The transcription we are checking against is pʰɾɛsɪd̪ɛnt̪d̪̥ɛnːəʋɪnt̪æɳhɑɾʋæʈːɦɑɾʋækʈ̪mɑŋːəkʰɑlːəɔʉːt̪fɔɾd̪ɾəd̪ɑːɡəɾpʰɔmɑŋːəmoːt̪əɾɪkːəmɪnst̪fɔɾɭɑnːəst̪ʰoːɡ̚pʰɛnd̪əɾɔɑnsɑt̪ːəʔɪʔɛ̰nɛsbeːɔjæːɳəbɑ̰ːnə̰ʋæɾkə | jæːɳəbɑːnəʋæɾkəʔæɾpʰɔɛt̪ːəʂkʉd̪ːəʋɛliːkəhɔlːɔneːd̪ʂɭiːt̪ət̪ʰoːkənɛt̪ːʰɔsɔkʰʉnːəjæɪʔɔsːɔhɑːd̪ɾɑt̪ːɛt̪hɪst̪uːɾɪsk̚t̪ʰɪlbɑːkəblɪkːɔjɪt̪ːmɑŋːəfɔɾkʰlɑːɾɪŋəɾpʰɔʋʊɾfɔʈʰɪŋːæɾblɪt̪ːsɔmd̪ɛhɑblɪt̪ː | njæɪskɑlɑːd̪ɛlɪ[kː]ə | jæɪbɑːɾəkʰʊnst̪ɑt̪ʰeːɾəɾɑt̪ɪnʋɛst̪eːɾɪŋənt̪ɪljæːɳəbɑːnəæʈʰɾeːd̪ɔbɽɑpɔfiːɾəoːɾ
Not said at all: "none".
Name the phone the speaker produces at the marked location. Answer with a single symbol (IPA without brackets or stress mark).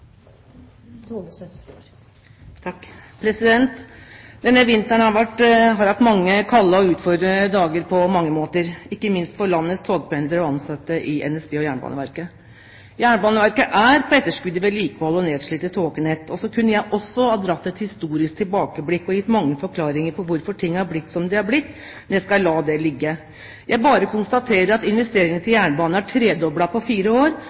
ɡː